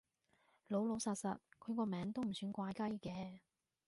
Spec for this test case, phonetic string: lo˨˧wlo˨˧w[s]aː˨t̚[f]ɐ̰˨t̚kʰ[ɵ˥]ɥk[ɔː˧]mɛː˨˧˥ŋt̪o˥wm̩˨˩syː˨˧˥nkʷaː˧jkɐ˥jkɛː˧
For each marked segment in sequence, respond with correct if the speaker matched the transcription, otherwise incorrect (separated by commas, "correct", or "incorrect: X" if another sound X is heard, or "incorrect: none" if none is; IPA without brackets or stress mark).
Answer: correct, incorrect: s, incorrect: ɵ˨˧, correct